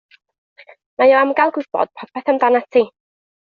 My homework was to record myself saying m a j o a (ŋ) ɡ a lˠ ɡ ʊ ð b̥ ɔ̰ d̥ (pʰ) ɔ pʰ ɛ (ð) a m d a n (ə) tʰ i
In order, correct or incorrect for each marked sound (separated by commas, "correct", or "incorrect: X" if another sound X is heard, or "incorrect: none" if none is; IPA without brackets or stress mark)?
incorrect: m, correct, incorrect: θ, incorrect: a